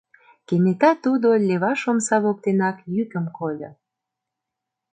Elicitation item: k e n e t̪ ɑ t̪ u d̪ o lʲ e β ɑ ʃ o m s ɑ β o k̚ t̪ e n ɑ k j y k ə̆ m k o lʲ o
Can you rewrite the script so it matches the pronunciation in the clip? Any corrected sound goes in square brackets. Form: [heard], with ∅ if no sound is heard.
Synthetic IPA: k e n e t̪ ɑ t̪ u d̪ o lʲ e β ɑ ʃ o m s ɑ β o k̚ t̪ e n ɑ k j y k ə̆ m k o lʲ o